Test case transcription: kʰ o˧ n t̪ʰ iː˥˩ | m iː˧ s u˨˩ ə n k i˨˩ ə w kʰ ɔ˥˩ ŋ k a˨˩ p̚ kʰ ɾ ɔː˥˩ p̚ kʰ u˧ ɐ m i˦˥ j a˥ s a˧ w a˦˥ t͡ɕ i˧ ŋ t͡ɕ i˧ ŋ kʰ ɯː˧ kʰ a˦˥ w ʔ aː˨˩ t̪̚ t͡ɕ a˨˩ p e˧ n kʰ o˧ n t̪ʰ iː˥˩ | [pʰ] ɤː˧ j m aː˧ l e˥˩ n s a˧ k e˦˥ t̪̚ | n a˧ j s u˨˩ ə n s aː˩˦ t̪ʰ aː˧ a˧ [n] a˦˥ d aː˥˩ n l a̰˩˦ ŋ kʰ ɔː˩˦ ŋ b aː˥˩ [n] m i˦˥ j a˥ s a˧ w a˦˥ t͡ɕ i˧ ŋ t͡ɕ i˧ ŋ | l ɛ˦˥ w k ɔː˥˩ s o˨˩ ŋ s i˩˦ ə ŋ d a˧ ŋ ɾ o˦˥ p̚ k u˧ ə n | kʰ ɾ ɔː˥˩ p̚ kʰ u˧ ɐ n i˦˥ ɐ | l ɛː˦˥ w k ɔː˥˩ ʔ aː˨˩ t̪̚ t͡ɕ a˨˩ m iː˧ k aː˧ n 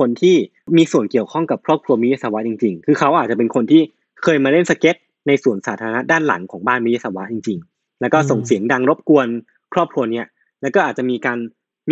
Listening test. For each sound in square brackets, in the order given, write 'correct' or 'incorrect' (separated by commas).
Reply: incorrect, correct, correct